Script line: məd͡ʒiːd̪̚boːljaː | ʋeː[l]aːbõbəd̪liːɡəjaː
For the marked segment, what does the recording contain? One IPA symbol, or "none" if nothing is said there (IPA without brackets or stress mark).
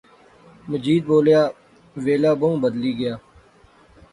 l